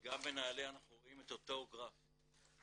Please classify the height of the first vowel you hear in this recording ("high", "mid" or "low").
low